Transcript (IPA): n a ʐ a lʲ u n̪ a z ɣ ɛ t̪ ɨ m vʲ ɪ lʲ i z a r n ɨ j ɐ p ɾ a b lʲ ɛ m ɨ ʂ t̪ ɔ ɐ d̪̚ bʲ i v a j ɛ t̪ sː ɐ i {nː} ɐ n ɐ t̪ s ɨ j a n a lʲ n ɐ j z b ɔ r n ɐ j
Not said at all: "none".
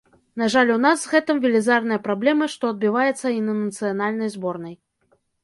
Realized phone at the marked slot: n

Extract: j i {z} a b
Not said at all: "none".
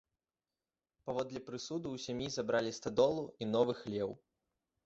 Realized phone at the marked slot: z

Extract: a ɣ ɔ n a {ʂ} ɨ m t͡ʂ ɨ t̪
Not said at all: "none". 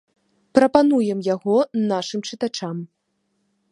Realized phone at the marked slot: ʂ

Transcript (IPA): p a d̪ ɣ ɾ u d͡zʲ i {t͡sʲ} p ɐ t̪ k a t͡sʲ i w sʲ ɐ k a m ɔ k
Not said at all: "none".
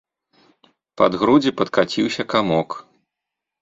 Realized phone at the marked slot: none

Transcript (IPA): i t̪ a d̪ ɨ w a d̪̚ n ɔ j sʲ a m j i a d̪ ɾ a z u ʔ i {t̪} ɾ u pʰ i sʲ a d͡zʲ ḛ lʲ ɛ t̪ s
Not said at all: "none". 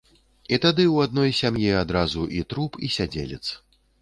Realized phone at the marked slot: t̪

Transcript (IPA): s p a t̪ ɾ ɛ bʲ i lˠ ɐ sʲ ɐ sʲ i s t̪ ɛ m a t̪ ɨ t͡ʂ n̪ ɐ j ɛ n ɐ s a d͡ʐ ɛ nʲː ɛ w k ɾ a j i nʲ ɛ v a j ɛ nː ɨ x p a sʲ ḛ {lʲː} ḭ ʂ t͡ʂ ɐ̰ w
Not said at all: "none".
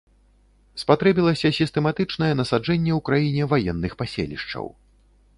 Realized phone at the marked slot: lʲ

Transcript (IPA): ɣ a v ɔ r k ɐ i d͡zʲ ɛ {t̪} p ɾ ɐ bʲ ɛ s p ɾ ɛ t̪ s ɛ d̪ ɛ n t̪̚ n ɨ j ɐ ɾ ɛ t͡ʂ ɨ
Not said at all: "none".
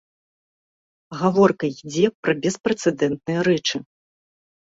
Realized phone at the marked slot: none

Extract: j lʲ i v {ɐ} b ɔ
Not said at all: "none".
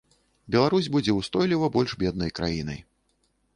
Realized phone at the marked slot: ɐ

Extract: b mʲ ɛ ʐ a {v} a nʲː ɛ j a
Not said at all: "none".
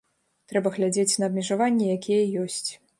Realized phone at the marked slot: v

